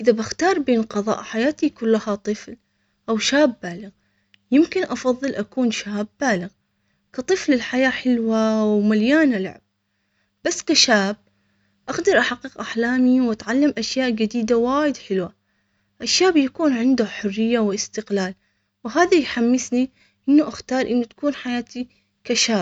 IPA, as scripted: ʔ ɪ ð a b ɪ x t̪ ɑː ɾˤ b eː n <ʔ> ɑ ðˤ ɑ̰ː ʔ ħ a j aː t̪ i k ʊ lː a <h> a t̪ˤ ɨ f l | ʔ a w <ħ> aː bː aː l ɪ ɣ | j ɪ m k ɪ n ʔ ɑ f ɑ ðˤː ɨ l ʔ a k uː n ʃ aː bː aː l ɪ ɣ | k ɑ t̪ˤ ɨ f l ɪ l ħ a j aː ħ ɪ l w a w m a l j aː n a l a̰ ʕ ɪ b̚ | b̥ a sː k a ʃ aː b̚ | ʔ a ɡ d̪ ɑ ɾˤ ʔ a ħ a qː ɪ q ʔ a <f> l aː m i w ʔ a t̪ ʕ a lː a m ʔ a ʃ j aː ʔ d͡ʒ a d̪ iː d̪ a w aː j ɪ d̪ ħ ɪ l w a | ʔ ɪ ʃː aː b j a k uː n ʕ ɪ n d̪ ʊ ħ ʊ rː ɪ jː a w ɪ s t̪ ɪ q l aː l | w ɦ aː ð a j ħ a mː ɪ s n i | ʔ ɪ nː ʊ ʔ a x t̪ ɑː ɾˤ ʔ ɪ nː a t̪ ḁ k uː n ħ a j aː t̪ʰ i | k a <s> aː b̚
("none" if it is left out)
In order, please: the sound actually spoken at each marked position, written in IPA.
q, h, ʃ, ħ, ʃ

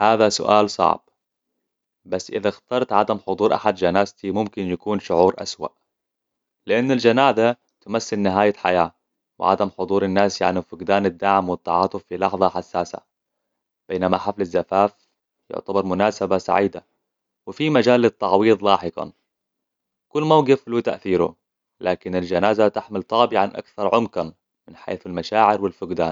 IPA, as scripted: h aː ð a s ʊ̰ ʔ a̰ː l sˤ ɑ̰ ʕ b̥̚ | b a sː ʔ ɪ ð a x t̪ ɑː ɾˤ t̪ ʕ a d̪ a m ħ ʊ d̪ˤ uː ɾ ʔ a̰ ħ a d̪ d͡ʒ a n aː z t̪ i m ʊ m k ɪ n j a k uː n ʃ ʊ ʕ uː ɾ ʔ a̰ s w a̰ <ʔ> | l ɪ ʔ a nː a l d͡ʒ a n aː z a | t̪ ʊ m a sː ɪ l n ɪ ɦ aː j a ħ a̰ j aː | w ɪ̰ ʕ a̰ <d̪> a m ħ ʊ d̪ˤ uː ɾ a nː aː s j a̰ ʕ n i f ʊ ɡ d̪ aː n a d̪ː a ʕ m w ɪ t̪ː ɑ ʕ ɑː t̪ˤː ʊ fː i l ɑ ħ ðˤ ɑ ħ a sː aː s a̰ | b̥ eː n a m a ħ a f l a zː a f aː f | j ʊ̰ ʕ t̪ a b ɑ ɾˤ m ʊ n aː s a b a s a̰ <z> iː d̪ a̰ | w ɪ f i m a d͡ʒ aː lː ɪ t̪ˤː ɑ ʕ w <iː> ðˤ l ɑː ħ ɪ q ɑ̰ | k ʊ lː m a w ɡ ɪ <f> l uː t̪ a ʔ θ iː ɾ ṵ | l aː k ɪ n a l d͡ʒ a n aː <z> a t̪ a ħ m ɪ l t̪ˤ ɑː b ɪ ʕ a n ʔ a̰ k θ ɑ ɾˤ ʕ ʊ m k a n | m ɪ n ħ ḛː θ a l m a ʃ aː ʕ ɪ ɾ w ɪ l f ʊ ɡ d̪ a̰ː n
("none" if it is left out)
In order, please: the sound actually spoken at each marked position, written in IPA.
ʔ, d̪, ʕ, iː, f, z

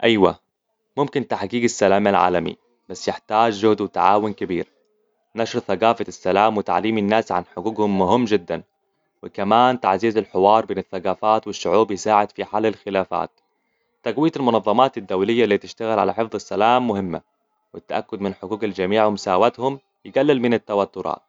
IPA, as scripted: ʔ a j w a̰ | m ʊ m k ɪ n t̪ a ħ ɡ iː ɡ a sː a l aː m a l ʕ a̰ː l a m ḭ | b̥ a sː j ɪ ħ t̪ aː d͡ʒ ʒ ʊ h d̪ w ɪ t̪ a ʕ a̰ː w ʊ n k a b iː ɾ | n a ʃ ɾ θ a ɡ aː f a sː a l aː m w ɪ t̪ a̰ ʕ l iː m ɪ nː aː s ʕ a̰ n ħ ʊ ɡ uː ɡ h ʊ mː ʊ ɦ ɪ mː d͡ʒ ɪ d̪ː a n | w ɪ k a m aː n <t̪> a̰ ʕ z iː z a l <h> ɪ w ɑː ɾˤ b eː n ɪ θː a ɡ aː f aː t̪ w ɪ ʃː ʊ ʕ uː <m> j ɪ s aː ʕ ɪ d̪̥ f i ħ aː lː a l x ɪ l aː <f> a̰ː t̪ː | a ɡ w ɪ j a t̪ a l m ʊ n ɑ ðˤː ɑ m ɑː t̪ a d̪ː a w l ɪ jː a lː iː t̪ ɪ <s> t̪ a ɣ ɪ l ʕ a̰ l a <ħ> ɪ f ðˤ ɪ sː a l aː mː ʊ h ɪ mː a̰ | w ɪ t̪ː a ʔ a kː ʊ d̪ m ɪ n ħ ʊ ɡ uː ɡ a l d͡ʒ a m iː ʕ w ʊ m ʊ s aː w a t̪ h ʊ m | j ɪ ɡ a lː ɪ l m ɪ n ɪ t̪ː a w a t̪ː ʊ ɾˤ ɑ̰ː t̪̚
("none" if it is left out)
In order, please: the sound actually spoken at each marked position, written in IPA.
t̪, ħ, b, f, ʃ, ħ

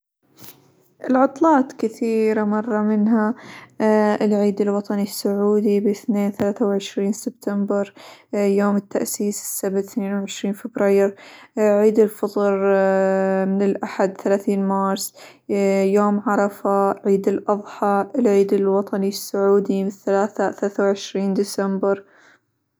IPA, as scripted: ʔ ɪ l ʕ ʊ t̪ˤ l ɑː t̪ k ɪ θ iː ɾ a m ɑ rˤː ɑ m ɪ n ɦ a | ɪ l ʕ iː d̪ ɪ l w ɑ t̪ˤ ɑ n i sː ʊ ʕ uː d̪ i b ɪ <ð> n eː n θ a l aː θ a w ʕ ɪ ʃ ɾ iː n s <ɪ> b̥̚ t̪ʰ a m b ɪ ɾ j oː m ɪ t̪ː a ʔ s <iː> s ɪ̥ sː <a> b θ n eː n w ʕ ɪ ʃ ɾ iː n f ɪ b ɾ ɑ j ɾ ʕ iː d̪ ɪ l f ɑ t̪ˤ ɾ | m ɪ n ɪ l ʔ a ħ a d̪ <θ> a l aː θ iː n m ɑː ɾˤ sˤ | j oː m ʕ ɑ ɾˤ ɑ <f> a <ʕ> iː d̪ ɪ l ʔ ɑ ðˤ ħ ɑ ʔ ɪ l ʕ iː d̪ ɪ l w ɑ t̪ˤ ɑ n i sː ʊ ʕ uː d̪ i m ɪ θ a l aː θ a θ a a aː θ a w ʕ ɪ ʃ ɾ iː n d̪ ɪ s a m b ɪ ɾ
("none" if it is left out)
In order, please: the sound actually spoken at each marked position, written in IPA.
θ, ɪ, iː, a, θ, f, ʕ

